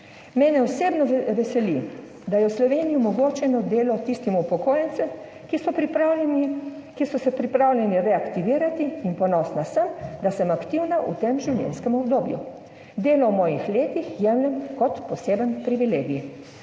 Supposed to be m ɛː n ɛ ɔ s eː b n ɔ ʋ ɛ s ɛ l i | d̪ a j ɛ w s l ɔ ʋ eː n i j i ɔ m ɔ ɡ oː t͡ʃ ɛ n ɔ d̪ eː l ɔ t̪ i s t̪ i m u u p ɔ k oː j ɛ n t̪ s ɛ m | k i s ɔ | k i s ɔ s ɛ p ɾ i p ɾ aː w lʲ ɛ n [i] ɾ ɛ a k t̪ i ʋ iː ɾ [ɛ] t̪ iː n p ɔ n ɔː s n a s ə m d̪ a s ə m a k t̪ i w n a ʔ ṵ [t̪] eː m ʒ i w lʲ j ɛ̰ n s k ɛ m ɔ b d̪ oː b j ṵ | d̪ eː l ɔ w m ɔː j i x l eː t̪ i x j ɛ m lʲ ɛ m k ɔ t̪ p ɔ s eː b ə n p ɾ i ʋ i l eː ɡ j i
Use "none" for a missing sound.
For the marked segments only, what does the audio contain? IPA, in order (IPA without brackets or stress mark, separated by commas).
i, a, t̪